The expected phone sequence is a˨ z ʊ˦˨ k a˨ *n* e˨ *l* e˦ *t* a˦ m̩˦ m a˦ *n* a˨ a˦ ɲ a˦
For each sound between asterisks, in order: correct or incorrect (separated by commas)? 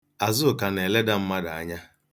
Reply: correct, correct, incorrect, incorrect